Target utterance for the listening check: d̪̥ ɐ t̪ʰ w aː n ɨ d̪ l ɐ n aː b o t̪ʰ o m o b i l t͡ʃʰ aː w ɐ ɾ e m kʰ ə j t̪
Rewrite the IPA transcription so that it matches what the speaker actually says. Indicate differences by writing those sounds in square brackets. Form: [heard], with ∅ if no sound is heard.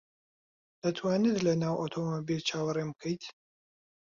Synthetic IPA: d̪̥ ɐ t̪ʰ w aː n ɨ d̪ l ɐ n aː [w] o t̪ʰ o m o b i l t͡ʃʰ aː w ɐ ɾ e m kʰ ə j t̪